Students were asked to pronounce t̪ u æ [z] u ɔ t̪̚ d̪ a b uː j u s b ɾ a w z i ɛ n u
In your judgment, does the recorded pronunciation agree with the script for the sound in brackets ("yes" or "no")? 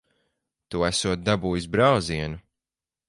no